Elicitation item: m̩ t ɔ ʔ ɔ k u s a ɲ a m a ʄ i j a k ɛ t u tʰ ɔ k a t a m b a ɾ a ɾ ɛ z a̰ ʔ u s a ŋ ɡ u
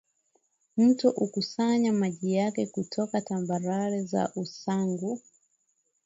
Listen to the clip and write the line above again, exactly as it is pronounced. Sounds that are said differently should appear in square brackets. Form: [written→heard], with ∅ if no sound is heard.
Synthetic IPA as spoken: m̩ t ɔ ʔ [ɔ→u] k u s a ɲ a m a ʄ i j a k ɛ [t→k] u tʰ ɔ k a t a m b a ɾ a ɾ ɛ z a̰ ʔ u s a ŋ ɡ u